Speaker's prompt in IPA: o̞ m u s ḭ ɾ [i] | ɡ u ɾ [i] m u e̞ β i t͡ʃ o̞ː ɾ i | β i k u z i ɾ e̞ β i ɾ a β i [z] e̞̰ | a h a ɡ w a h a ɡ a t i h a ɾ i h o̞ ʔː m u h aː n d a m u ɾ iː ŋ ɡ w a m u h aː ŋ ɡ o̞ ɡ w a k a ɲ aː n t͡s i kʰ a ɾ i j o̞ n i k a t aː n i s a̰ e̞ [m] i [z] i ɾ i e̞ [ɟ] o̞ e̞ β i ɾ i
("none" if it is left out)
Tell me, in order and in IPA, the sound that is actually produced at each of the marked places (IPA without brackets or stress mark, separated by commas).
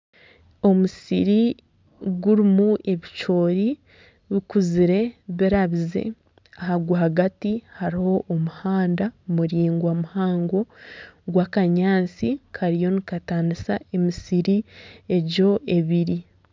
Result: i, i, z, m, s, ɟ